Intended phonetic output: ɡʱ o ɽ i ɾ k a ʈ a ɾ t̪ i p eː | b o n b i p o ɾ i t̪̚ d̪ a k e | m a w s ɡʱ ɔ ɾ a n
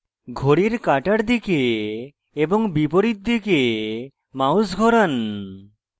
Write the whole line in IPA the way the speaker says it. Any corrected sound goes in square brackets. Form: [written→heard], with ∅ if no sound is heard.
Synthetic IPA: ɡʱ o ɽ i ɾ k a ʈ a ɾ [t̪→d̪] i [p→k] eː | b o [n→ŋ] b i p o ɾ i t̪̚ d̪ [a→i] k e | m a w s ɡʱ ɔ ɾ a n